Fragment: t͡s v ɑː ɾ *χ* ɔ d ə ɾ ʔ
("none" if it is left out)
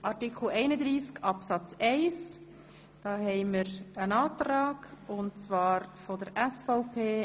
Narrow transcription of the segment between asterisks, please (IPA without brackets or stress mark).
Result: f